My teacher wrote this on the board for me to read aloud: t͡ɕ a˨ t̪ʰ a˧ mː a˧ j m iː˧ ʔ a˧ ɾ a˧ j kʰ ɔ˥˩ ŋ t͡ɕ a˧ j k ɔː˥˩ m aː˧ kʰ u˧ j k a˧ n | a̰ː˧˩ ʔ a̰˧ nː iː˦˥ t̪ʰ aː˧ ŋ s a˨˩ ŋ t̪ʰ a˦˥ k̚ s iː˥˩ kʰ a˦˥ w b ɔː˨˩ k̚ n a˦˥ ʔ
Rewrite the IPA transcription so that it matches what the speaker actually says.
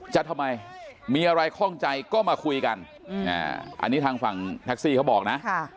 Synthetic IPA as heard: t͡ɕ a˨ t̪ʰ a˧ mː a˧ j m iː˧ ʔ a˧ ɾ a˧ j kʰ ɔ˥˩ ŋ t͡ɕ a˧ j k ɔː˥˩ m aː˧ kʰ u˧ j k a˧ n | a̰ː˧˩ ʔ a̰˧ nː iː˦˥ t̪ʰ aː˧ ŋ f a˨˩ ŋ t̪ʰ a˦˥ k̚ s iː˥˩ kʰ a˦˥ w b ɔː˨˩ k̚ n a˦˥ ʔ